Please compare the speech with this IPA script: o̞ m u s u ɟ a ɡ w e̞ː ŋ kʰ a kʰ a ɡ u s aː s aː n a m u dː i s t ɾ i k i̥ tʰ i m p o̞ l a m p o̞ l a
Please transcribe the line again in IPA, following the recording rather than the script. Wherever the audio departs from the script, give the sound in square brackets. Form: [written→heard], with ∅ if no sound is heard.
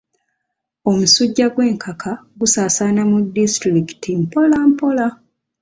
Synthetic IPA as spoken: o̞ m u s u [ɟ→ɟː] a ɡ w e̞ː ŋ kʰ a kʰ a ɡ u s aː s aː n a m u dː i s t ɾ i k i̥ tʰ i m p o̞ l a m p o̞ l a